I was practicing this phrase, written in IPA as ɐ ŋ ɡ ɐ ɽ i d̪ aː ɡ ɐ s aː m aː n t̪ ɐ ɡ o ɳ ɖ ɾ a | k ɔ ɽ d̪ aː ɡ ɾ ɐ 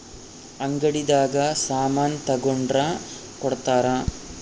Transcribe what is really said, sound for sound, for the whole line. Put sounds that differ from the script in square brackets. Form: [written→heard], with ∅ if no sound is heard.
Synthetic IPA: ɐ ŋ ɡ ɐ ɽ i d̪ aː ɡ ɐ s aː m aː n t̪ ɐ ɡ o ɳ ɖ ɾ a | k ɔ ɽ [d̪→t̪] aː [ɡ→∅] ɾ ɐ